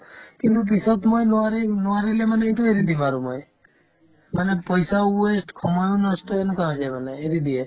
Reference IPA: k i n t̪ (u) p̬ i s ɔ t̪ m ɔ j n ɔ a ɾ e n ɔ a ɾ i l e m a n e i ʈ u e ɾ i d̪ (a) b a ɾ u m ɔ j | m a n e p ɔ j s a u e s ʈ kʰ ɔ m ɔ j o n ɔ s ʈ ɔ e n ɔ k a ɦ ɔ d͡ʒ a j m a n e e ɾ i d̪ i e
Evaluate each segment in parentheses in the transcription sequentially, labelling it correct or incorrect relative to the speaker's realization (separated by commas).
correct, incorrect